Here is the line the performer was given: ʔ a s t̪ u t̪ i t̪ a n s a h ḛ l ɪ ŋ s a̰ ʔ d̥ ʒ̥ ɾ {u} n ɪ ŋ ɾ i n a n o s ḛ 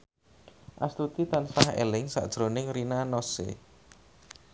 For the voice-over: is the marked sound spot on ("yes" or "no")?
no